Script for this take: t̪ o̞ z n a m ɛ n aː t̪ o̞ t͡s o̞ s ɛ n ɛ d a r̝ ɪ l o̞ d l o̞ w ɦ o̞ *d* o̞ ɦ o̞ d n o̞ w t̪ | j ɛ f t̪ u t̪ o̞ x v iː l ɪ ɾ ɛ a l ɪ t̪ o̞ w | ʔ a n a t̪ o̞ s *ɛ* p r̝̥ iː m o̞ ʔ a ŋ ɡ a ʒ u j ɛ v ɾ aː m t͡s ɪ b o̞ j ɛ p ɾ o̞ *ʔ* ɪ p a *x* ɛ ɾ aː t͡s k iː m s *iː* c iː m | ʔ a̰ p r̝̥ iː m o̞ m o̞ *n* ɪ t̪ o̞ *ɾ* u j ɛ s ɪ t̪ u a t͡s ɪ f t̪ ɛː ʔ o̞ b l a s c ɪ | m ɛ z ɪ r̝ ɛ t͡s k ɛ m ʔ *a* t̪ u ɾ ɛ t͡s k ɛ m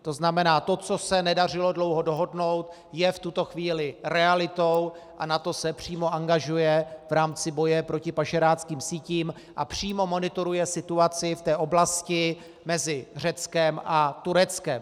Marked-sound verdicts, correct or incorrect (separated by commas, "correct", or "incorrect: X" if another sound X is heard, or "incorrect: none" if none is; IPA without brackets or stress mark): correct, correct, incorrect: c, incorrect: ʃ, correct, correct, correct, correct